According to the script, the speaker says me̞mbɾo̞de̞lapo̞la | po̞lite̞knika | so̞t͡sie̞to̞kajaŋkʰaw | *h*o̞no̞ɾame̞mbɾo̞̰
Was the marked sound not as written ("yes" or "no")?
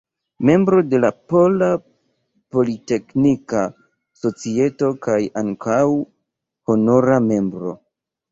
no